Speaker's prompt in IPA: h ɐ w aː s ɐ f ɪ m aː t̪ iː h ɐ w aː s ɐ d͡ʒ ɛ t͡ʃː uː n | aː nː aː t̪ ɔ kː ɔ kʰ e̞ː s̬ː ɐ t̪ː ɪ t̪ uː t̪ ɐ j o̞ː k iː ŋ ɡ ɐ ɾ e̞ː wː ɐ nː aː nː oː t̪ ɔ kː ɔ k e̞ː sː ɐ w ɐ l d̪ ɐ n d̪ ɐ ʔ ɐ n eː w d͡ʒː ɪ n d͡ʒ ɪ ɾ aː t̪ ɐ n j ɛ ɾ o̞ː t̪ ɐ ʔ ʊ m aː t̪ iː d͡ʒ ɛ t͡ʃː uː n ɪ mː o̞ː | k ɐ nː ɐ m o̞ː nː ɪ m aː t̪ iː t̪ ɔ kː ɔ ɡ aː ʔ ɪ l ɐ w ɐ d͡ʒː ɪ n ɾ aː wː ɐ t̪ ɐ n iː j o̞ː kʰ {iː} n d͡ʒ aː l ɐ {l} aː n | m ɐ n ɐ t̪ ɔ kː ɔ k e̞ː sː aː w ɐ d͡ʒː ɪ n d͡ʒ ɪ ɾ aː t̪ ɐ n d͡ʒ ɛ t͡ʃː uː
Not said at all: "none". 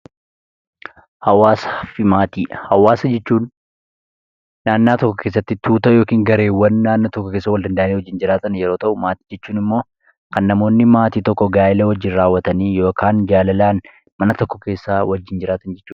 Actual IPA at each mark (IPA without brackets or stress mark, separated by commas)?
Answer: aː, l